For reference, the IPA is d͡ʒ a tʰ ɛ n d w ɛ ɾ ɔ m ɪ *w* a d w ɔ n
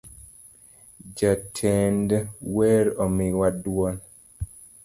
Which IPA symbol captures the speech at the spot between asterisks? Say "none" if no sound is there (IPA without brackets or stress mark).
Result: w